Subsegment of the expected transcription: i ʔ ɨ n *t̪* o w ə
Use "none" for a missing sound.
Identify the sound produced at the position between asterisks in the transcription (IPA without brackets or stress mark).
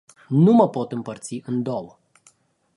d̪